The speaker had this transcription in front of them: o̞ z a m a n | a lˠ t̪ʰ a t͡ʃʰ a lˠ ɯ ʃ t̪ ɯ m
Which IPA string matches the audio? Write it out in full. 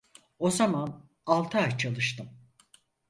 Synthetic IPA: o̞ z a m a n | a lˠ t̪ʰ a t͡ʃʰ a lˠ ɯ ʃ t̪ ɯ m